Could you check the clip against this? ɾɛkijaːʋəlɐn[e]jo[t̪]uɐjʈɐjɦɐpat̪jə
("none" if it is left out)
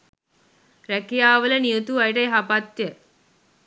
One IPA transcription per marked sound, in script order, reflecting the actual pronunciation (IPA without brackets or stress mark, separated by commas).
i, t̪